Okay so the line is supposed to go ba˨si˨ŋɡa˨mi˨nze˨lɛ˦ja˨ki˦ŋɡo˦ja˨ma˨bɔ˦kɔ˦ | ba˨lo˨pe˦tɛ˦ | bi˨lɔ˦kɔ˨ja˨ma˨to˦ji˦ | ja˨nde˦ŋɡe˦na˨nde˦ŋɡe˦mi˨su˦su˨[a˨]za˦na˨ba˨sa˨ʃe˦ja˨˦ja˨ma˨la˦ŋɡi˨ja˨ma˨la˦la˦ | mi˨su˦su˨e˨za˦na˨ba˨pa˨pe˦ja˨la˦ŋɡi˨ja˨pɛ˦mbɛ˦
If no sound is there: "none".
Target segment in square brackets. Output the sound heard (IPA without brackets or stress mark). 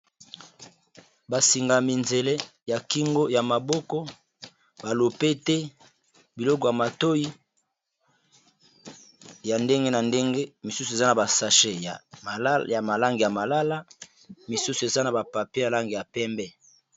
e˨